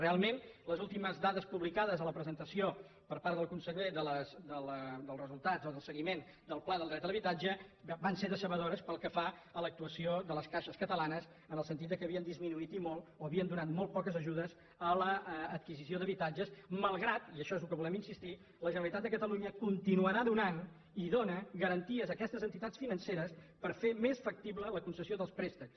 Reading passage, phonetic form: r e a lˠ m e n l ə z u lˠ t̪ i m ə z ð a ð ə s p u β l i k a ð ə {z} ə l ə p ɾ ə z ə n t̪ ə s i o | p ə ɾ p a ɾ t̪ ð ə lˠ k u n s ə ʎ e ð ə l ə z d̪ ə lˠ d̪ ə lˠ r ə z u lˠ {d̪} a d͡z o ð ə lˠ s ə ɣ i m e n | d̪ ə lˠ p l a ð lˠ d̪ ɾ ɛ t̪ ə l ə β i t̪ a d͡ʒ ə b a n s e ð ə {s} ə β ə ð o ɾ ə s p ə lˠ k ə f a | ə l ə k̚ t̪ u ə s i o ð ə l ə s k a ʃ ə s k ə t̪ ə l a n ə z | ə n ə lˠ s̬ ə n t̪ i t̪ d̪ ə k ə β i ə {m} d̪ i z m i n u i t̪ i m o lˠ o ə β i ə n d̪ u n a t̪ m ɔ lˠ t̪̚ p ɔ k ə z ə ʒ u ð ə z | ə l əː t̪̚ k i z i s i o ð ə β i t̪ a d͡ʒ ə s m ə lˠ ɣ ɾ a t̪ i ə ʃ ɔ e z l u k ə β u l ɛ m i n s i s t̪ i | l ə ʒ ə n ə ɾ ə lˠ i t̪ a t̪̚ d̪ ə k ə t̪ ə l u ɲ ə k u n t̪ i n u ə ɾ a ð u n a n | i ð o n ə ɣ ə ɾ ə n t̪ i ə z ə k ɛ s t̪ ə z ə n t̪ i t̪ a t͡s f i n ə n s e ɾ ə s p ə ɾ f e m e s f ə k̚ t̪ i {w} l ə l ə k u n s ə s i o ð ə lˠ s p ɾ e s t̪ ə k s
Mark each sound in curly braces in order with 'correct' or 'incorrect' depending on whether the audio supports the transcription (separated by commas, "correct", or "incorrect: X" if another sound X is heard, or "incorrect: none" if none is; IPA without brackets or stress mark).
correct, incorrect: t̪, correct, incorrect: n, incorrect: β